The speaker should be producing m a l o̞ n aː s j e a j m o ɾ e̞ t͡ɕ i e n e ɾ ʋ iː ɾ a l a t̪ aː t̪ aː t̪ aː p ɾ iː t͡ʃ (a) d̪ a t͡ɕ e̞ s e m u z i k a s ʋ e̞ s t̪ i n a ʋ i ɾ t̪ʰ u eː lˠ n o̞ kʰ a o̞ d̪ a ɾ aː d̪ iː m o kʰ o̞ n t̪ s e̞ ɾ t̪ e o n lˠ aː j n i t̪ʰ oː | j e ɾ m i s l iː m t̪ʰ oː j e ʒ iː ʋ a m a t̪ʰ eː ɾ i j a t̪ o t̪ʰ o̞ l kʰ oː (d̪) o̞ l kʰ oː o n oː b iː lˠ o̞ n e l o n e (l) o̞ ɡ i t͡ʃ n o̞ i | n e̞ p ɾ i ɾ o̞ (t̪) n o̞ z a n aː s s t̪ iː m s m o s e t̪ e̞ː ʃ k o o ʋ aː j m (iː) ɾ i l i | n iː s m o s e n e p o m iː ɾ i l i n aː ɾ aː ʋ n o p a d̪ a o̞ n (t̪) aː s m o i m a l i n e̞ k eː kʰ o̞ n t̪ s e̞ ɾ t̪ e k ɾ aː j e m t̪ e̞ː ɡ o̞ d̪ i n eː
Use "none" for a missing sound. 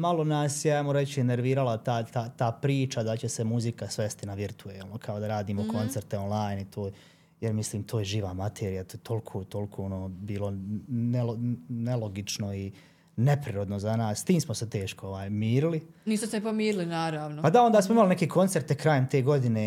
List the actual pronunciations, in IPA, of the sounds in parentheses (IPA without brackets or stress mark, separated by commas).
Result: a, t̪, l, d̪, iː, d̪